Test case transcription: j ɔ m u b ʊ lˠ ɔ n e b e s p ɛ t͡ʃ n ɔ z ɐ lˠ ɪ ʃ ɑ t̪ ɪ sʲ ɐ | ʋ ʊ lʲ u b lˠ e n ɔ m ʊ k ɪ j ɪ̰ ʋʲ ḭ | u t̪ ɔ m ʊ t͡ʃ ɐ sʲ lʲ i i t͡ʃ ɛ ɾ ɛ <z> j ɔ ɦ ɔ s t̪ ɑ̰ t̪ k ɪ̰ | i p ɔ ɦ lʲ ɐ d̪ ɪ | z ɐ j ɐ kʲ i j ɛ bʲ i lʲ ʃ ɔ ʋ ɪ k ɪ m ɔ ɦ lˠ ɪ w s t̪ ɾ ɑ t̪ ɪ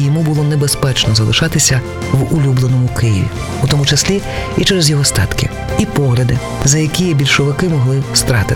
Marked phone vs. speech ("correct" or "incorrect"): correct